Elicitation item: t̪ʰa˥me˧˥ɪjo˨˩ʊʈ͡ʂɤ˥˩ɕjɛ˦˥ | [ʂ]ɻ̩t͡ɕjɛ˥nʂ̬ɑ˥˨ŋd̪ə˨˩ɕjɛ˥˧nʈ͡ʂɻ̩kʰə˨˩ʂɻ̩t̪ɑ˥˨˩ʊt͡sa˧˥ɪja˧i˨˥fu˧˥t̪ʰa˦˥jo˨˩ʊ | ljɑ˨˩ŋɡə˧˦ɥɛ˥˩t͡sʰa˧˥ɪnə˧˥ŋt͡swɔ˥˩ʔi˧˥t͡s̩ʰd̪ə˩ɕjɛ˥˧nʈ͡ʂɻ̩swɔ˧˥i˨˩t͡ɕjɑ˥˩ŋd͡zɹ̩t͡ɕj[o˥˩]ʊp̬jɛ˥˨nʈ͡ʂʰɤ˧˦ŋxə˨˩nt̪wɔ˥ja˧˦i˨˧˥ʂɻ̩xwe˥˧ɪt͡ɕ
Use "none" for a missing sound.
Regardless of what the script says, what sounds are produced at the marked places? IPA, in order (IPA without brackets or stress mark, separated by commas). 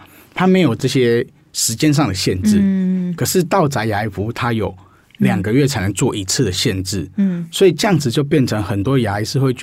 ʂ, o˥˧